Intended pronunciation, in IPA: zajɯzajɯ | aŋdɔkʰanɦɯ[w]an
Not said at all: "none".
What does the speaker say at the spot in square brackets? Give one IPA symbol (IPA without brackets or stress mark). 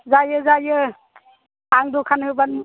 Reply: b